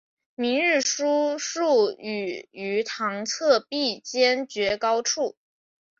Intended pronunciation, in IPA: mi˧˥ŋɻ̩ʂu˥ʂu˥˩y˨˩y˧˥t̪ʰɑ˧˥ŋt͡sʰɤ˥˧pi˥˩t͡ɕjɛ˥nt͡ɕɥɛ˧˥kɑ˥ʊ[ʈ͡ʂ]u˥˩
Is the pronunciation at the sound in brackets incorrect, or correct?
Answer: incorrect